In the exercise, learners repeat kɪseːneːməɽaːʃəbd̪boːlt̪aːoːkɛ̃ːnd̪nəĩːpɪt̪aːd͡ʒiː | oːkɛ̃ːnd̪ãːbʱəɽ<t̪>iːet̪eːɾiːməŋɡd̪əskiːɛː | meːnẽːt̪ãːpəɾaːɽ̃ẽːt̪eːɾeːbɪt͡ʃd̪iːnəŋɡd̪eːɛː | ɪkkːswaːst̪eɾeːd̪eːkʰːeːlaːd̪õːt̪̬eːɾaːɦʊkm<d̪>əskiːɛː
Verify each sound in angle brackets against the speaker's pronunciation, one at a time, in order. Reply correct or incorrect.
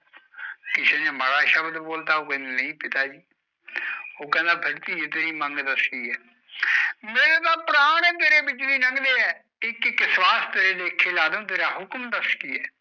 correct, correct

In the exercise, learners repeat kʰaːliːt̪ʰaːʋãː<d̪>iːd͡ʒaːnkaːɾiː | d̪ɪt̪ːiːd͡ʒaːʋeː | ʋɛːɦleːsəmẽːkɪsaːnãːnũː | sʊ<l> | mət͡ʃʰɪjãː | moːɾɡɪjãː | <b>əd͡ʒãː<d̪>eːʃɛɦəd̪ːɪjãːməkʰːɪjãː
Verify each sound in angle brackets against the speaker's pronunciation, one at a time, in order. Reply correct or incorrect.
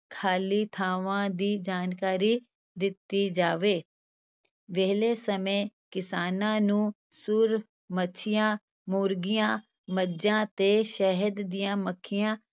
correct, incorrect, incorrect, incorrect

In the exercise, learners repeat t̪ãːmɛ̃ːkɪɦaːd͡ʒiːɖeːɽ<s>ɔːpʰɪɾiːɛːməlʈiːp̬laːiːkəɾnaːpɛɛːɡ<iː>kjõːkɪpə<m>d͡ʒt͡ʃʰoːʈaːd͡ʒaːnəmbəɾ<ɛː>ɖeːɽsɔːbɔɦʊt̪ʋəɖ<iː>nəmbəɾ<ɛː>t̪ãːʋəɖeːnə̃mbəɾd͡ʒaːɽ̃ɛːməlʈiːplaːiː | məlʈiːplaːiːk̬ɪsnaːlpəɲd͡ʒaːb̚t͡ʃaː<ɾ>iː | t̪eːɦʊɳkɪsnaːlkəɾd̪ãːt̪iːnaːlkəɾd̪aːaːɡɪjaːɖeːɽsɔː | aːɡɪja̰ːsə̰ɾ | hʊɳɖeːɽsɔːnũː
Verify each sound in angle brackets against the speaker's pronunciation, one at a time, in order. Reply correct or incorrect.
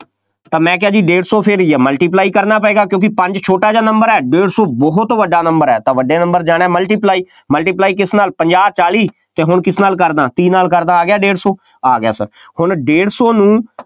correct, incorrect, incorrect, correct, incorrect, correct, incorrect

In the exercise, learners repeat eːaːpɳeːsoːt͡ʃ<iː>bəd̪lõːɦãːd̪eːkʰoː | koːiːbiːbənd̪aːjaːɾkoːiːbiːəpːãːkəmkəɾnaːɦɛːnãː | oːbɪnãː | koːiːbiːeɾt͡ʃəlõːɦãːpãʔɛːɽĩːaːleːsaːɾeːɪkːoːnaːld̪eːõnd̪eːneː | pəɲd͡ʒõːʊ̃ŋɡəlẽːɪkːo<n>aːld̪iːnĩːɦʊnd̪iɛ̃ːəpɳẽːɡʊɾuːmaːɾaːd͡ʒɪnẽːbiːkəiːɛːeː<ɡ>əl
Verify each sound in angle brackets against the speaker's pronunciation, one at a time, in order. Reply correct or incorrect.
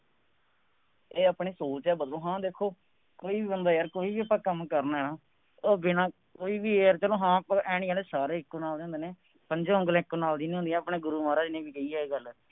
incorrect, correct, correct

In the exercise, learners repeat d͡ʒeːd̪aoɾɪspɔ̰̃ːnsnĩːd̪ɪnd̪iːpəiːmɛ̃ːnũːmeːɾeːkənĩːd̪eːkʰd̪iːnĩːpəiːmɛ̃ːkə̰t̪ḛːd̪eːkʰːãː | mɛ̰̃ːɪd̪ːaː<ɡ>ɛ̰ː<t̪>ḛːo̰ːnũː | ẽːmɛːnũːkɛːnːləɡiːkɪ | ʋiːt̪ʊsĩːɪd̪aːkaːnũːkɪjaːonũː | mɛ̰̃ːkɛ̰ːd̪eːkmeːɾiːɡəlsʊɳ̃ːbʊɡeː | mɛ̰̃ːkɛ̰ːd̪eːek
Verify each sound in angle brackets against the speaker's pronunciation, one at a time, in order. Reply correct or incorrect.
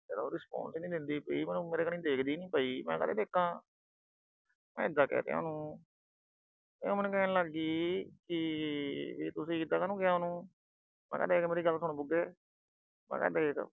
incorrect, correct

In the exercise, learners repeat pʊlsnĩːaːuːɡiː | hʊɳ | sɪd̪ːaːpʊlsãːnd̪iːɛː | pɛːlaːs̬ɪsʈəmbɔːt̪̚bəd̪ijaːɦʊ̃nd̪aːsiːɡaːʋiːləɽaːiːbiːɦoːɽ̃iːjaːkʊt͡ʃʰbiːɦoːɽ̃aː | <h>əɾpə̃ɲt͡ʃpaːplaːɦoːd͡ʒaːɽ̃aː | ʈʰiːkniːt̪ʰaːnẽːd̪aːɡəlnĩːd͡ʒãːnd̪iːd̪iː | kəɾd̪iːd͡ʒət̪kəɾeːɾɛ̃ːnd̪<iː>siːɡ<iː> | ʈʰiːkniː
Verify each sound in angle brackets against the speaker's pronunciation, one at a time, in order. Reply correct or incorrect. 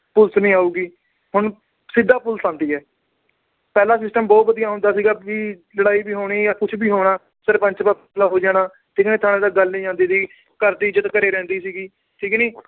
incorrect, correct, correct

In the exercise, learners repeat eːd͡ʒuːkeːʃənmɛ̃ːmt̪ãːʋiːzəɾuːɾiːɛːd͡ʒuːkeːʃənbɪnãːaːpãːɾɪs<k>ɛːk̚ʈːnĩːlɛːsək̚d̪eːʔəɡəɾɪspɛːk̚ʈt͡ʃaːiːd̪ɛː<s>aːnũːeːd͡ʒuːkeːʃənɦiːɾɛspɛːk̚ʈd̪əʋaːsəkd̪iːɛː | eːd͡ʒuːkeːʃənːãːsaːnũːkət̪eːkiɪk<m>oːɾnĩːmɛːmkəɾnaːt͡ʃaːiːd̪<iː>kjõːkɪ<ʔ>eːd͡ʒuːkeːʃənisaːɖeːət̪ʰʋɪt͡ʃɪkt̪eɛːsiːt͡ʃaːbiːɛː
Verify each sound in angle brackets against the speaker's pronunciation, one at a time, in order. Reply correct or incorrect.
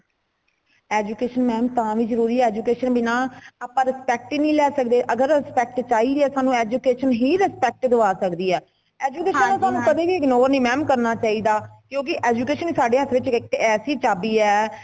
incorrect, correct, incorrect, incorrect, correct

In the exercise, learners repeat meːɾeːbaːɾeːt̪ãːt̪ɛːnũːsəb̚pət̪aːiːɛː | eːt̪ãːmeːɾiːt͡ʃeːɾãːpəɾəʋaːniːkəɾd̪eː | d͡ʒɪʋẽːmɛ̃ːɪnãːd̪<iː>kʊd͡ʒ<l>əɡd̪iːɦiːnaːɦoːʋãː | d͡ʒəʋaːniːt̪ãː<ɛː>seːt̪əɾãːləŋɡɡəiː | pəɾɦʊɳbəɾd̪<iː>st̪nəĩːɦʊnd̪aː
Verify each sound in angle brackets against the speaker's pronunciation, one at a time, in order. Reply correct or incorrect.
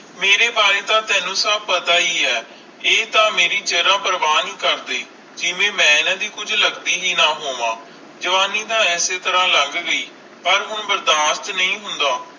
correct, correct, correct, incorrect

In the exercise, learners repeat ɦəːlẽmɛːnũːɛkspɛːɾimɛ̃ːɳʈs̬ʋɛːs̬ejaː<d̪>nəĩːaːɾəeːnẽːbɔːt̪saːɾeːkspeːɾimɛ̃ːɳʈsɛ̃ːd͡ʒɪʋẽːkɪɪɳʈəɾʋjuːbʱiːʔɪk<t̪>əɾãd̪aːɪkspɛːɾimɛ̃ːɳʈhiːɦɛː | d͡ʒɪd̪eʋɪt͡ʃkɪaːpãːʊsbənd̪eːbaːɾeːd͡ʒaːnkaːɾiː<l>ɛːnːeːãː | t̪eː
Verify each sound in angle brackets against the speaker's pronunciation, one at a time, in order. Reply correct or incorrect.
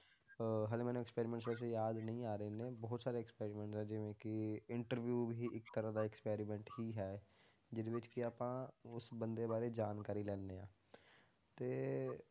correct, correct, correct

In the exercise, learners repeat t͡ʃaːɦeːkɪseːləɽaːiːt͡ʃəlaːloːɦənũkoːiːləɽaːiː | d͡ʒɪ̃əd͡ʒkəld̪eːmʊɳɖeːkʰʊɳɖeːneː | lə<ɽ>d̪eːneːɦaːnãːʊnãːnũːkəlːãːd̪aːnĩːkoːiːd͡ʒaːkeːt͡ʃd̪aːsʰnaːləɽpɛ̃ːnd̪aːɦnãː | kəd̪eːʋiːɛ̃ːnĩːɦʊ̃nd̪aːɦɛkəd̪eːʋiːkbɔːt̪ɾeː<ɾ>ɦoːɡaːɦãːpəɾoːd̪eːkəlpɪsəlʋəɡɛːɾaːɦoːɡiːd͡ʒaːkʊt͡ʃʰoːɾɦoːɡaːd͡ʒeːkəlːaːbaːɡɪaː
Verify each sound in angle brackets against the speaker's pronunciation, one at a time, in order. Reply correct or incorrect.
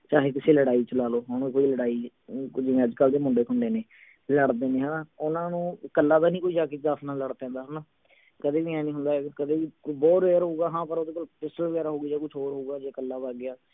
correct, correct

